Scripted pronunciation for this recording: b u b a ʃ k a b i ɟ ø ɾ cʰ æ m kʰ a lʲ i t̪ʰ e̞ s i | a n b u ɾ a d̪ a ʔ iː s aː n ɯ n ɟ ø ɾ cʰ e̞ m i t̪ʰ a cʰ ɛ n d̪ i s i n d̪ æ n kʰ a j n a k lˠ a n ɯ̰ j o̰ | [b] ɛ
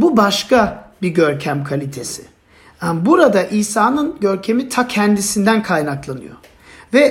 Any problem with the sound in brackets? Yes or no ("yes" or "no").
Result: yes